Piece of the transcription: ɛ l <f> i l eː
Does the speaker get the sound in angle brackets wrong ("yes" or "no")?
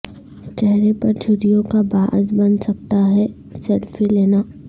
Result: no